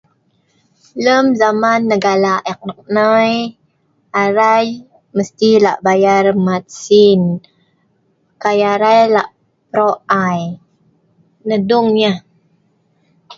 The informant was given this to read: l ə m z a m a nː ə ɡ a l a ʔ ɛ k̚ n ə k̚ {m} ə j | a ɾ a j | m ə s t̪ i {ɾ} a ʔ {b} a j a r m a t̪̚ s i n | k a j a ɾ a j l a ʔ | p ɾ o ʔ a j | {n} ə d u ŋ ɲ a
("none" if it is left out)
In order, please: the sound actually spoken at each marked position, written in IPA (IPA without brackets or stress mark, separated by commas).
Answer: n, l, b, n